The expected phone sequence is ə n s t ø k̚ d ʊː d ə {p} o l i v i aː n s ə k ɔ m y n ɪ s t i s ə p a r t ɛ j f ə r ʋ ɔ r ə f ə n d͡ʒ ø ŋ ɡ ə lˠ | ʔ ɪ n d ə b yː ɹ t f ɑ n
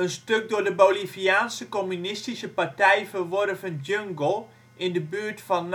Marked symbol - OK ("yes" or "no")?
no